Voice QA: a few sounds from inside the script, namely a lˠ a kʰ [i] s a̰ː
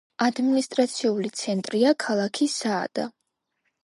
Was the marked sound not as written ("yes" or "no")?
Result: no